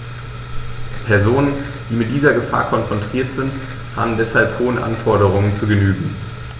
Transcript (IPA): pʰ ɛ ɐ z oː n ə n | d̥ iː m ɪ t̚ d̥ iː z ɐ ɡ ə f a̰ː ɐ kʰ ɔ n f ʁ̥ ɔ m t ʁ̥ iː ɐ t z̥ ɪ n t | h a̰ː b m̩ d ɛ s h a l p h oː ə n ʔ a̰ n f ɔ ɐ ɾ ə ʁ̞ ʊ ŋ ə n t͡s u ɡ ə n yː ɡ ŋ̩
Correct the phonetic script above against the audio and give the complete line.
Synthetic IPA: pʰ ɛ ɐ z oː n ə n | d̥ iː m ɪ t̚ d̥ iː z ɐ ɡ ə f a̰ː ɐ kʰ ɔ n f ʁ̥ ɔ n t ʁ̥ iː ɐ t z̥ ɪ n t | h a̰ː b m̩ d ɛ s h a l p h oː ə n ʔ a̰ n f ɔ ɐ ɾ ə ʁ̞ ʊ ŋ ə n t͡s u ɡ ə n yː ɡ ŋ̩